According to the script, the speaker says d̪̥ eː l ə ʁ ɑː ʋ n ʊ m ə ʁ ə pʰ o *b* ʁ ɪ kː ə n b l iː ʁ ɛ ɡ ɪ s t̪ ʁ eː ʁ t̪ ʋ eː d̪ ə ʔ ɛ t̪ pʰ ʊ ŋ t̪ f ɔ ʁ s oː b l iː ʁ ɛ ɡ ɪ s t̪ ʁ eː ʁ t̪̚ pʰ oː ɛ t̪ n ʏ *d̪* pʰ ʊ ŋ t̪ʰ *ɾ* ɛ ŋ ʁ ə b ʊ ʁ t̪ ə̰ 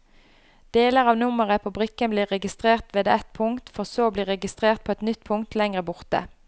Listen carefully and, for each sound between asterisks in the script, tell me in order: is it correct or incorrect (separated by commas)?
correct, incorrect, incorrect